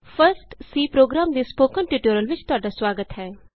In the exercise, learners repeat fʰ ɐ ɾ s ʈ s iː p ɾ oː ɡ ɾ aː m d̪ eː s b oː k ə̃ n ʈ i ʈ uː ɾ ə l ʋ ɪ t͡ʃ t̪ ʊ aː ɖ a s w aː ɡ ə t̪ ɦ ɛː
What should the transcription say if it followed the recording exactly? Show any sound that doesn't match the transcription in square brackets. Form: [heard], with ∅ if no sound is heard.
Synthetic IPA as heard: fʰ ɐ ɾ s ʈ s iː p ɾ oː ɡ ɾ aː m d̪ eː s [p] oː k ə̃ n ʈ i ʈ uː ɾ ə l ʋ ɪ t͡ʃ t̪ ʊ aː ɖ a s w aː ɡ ə t̪ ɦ ɛː